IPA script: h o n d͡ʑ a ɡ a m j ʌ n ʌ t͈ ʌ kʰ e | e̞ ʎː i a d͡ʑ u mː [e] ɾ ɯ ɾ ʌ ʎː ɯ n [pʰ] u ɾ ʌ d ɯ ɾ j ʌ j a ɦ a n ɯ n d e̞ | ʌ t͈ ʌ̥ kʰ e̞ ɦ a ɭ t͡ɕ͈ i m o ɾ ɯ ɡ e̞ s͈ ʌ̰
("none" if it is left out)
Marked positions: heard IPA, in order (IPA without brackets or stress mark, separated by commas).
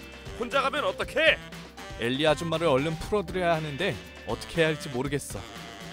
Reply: a, pʰ